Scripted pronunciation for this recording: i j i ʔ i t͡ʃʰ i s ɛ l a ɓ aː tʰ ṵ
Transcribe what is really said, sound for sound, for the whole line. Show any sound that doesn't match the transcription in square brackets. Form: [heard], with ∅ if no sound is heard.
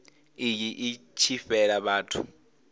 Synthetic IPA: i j i ʔ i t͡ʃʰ i [f] ɛ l a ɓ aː tʰ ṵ